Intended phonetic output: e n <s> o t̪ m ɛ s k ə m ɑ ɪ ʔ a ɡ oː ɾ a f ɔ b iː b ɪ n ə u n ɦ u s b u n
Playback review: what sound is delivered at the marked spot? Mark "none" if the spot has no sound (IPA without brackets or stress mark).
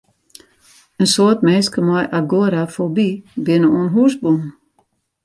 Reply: s